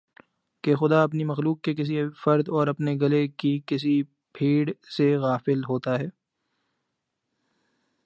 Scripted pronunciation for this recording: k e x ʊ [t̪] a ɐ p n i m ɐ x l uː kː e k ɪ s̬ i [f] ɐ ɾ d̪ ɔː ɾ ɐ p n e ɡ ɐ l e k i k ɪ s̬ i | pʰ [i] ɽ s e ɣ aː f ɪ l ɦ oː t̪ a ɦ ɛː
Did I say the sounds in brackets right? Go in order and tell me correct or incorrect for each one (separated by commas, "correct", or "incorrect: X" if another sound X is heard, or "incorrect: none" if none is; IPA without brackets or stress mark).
incorrect: d̪, correct, incorrect: iː